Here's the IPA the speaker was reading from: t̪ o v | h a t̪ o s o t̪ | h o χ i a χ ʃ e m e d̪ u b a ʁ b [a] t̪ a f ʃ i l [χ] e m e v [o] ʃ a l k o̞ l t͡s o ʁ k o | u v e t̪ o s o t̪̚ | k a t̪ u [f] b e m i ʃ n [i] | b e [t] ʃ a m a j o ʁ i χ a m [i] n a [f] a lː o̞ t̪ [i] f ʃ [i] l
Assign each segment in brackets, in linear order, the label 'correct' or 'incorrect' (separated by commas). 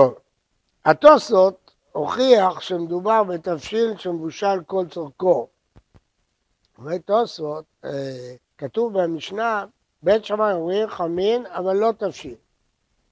incorrect, incorrect, incorrect, incorrect, incorrect, correct, correct, incorrect, incorrect, correct